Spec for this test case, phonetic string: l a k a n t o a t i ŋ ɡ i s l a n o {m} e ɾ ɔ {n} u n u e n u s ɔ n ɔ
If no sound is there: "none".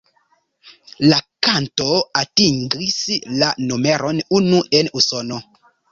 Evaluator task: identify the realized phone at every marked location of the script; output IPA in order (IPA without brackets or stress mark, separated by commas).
m, n